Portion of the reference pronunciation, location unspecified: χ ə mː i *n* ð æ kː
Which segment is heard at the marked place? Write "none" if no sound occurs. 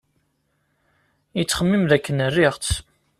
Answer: m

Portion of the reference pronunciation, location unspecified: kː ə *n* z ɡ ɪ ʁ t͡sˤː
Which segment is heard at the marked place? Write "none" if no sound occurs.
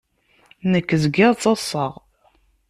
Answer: none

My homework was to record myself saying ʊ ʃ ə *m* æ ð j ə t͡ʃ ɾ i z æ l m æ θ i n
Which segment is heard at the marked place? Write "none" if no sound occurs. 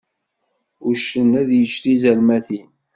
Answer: n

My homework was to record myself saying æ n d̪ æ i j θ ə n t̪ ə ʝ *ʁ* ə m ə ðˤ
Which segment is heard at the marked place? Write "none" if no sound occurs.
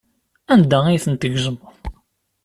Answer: ʒ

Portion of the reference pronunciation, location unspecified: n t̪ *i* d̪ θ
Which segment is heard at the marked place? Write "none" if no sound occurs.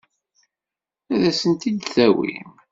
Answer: i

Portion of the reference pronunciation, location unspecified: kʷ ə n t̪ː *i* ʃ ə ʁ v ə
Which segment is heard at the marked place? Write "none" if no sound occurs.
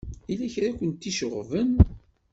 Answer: i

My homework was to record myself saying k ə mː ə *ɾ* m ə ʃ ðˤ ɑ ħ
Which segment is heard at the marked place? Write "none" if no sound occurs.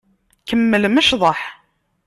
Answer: l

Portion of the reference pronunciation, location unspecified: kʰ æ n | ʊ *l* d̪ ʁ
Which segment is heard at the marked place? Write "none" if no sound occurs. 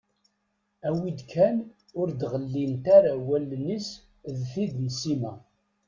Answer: ɾ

